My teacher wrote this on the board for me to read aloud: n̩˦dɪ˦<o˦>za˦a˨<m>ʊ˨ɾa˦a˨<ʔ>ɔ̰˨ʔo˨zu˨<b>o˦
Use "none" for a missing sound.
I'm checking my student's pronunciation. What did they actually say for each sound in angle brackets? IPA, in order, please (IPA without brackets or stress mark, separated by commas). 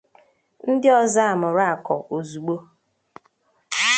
ɔ˦, m, k, ɡ͡b